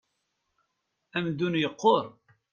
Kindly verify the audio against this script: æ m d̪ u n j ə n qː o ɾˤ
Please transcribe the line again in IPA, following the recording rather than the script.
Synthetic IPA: æ m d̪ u n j ə qː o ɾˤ